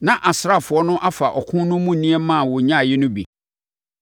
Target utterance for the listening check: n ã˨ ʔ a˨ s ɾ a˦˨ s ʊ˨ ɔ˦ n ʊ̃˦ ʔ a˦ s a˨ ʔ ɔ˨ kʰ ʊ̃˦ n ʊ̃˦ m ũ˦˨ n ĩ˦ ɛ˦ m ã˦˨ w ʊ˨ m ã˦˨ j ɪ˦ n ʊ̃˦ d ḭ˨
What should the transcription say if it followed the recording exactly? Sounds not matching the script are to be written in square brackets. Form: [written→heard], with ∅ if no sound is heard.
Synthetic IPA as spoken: n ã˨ ʔ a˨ s ɾ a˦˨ [s→f] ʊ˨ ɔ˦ n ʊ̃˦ ʔ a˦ [s→f] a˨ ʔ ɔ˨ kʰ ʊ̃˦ n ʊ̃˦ m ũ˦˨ n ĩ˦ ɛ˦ m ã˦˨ w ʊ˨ [m→ɲ] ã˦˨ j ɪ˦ n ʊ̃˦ [d→b] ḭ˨